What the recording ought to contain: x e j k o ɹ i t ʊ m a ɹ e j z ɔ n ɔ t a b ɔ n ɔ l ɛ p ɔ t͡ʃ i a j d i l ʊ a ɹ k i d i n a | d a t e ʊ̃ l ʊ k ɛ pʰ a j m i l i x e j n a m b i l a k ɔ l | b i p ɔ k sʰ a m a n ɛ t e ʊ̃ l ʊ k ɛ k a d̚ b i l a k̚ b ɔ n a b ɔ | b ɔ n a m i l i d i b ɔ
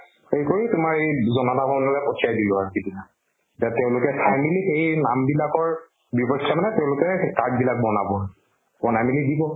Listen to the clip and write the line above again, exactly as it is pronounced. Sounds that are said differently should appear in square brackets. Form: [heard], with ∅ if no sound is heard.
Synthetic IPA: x e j k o ɹ i t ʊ m a ɹ e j z ɔ n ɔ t a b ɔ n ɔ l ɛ p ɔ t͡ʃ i a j d i l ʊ a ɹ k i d i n a | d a t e ʊ̃ l ʊ k ɛ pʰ a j m i l i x e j n a m b i l a k ɔ [ɹ] | b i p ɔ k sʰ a m a n ɛ t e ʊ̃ l ʊ k ɛ k a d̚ b i l a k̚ b ɔ n a b ɔ | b ɔ n a m i l i d i b ɔ